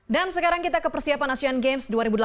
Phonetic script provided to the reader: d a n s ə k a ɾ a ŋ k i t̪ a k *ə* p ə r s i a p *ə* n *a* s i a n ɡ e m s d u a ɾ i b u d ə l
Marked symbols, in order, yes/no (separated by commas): yes, no, yes